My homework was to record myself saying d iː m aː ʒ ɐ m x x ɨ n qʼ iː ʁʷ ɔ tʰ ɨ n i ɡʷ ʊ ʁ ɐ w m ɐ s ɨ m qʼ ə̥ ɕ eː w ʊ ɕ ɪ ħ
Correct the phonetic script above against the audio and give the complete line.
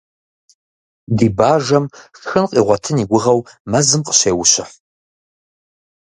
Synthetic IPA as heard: d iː b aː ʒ ɐ m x x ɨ n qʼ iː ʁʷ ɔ tʰ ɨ n i ɡʷ ʊ ʁ ɐ w m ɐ z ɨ m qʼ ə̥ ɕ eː w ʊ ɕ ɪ ħ